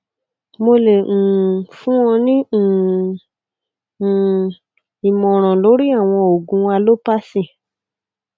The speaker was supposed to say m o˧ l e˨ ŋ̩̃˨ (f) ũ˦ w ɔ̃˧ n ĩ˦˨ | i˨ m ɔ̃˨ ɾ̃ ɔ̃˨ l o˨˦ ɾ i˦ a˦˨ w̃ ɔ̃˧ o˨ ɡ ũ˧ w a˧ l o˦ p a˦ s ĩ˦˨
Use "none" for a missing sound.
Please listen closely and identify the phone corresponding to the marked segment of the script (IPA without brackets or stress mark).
f